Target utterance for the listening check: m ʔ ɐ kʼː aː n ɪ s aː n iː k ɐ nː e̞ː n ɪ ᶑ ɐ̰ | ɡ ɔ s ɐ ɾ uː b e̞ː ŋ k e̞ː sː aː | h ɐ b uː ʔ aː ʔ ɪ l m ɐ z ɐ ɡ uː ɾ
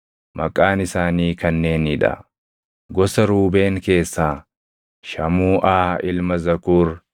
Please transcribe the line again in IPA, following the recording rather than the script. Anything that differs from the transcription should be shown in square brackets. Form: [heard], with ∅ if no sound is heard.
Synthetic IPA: m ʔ ɐ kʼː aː n ɪ s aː n iː k ɐ nː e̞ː n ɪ ᶑ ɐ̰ | ɡ ɔ s ɐ ɾ uː b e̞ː ŋ k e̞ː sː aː | [ʃ] ɐ [m] uː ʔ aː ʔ ɪ l m ɐ z ɐ [k] uː ɾ

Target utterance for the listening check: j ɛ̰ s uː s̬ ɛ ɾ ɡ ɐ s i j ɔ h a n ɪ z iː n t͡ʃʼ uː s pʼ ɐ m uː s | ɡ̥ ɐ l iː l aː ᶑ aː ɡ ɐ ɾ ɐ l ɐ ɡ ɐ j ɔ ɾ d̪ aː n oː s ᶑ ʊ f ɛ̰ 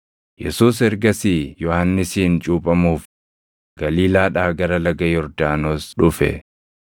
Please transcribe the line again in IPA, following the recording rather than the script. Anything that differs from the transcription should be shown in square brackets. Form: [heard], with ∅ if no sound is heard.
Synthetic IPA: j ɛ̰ s uː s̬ ɛ ɾ ɡ ɐ s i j ɔ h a [nː] ɪ [s] iː n t͡ʃʼ uː [∅] pʼ ɐ m uː [f] | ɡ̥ ɐ l iː l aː ᶑ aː ɡ ɐ ɾ ɐ l ɐ ɡ ɐ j ɔ ɾ d̪ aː n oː s ᶑ ʊ f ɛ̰

